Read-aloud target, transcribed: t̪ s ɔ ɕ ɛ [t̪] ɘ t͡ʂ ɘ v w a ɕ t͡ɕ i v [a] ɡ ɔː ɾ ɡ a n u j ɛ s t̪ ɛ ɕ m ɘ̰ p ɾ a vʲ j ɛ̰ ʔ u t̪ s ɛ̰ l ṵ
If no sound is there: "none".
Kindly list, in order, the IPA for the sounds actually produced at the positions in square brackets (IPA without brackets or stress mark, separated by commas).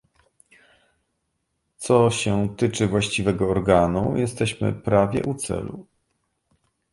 t̪, ɛ